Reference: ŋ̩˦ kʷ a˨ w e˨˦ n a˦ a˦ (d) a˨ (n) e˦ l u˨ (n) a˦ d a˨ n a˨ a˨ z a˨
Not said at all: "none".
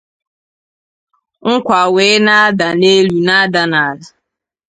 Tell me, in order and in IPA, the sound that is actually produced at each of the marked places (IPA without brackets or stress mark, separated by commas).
d, n, n